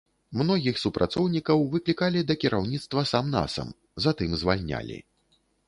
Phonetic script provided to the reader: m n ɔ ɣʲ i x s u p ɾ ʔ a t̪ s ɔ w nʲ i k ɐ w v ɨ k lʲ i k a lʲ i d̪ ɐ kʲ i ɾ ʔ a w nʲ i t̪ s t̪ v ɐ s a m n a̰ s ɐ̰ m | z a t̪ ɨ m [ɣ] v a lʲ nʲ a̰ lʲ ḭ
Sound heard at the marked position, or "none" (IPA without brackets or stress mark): z